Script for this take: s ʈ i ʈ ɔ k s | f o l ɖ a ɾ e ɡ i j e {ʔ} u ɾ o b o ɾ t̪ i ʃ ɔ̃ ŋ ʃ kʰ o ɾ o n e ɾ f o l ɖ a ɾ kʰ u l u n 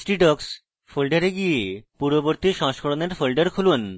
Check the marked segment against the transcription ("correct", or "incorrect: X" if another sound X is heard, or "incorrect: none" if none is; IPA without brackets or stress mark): incorrect: p